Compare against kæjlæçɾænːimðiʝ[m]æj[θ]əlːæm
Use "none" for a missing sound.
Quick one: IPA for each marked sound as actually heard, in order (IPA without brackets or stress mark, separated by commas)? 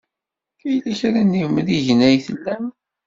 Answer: n, θ